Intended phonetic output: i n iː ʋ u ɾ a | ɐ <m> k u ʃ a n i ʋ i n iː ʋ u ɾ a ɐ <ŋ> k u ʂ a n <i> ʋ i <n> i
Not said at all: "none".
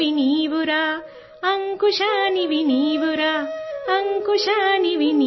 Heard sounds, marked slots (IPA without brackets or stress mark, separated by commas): ŋ, ŋ, i, n